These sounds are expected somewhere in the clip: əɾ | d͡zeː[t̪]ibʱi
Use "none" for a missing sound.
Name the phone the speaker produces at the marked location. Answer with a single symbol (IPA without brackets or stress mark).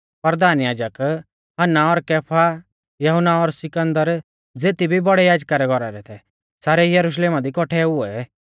t̪